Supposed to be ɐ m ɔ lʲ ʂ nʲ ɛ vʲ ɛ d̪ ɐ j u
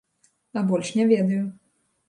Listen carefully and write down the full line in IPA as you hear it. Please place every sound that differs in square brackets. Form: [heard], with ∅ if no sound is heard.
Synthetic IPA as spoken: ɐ [b] ɔ lʲ ʂ nʲ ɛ vʲ ɛ d̪ ɐ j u